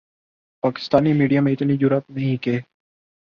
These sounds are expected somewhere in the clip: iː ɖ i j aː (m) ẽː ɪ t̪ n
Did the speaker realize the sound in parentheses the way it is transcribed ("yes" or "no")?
yes